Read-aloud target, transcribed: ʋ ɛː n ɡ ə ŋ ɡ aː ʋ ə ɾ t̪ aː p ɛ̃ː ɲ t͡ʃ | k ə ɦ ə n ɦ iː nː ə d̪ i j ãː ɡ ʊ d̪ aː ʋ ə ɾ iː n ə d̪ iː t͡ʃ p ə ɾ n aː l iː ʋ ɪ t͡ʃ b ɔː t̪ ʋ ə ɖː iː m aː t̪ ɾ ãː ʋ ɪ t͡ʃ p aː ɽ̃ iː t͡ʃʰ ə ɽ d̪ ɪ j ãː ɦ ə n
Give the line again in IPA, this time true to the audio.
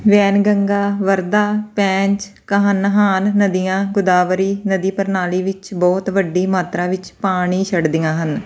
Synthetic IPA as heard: ʋ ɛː n ɡ ə ŋ ɡ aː ʋ ə ɾ d̪ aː p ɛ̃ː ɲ t͡ʃ | k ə ɦ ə n ɦ aː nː ə d̪ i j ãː ɡ ʊ d̪ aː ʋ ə ɾ iː n ə d̪ iː p ə ɾ n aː l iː ʋ ɪ t͡ʃ b ɔː t̪ ʋ ə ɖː iː m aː t̪ ɾ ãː ʋ ɪ t͡ʃ p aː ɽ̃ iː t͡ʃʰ ə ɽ d̪ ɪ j ãː ɦ ə n

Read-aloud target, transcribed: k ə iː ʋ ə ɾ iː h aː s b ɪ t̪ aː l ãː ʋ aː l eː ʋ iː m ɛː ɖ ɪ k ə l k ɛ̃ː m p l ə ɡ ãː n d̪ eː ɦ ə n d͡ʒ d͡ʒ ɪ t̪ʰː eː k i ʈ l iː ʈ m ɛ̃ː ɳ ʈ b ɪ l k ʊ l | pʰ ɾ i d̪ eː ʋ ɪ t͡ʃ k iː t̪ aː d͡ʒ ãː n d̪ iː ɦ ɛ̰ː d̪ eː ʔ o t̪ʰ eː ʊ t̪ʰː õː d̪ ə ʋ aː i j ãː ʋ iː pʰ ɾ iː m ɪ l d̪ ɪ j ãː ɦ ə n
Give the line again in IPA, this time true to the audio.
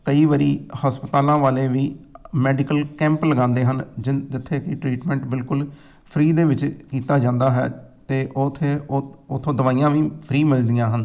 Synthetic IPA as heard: k ə iː ʋ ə ɾ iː h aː s p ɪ t̪ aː l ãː ʋ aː l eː ʋ iː m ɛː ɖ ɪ k ə l k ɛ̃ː m p l ə ɡ ãː n d̪ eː ɦ ə n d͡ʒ d͡ʒ ɪ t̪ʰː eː k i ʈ ɾ iː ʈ m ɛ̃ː ɳ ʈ b ɪ l k ʊ l | pʰ ɾ iː d̪ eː ʋ ɪ t͡ʃ k iː t̪ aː d͡ʒ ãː n d̪ aː ɦ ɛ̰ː t̪ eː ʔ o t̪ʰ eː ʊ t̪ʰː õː d̪ ə ʋ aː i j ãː ʋ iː pʰ ɾ iː m ɪ l d̪ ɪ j ãː ɦ ə n

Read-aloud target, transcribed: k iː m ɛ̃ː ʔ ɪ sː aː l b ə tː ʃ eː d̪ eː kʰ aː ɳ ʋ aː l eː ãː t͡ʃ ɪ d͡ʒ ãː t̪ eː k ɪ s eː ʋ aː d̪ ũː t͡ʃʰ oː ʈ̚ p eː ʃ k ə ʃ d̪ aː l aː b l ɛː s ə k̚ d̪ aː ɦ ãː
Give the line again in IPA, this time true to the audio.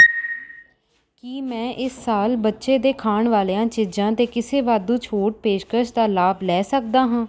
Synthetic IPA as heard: k iː m ɛ̃ː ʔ ɪ sː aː l b ə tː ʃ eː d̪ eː kʰ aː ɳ ʋ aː l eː ãː t͡ʃ ɪ d͡ʒ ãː t̪ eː k ɪ s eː ʋ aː d̪ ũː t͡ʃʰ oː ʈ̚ p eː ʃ k ə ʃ d̪ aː l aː b l ɛː s ə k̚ d̪ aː ɦ ãː

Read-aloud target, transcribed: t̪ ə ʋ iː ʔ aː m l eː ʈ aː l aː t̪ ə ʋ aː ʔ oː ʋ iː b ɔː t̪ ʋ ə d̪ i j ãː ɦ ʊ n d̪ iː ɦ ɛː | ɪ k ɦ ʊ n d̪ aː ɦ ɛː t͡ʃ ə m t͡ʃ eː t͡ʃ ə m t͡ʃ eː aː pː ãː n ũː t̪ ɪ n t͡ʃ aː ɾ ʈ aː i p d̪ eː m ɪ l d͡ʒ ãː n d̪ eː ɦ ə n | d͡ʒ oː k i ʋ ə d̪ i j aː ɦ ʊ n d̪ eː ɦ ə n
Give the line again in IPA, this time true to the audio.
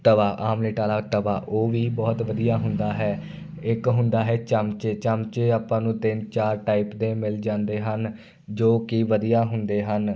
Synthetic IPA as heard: t̪ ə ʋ aː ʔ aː m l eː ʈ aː l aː t̪ ə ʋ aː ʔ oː ʋ iː b ɔː t̪ ʋ ə d̪ i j aː ɦ ʊ n d̪ aː ɦ ɛː | ɪ k ɦ ʊ n d̪ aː ɦ ɛː t͡ʃ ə m t͡ʃ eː t͡ʃ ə m t͡ʃ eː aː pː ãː n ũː t̪ ɪ n t͡ʃ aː ɾ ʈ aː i p d̪ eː m ɪ l d͡ʒ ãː n d̪ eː ɦ ə n | d͡ʒ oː k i ʋ ə d̪ i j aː ɦ ʊ n d̪ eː ɦ ə n

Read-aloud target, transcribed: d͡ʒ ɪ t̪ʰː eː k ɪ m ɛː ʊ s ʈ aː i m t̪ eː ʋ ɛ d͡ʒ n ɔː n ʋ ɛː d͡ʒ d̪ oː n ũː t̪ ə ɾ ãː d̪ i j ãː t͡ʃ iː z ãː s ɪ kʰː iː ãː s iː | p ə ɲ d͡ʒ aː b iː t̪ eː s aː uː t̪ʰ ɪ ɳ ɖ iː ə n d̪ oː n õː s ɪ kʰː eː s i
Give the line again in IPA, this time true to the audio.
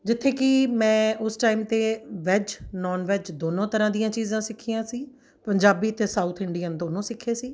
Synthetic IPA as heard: d͡ʒ ɪ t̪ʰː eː k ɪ m ɛ̃ː ʊ s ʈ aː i m t̪ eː ʋ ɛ d͡ʒ n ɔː n ʋ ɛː d͡ʒ d̪ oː n õː t̪ ə ɾ ãː d̪ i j ãː t͡ʃ iː z ãː s ɪ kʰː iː ãː s iː | p ə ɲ d͡ʒ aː b iː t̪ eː s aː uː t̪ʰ ɪ ɳ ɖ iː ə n d̪ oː n õː s ɪ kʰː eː s iː

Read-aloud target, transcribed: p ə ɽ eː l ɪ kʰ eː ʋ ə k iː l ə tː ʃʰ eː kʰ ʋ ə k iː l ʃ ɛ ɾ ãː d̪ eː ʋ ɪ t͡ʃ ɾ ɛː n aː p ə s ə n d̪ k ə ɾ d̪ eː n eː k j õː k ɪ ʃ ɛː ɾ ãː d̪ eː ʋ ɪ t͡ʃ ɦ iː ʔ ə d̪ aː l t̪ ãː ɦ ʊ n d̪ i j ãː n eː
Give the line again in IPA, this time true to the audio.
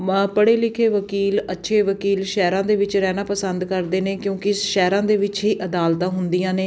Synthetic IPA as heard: p ə ɽ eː l ɪ kʰ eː ʋ ə k iː l ə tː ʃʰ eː ʋ ə k iː l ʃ ɛː ɾ ãː d̪ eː ʋ ɪ t͡ʃ ɾ ɛː n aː p ə s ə n d̪ k ə ɾ d̪ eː n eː k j õː k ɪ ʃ ɛː ɾ ãː d̪ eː ʋ ɪ t͡ʃ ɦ iː ʔ ə d̪ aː l t̪ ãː ɦ ʊ n d̪ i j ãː n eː

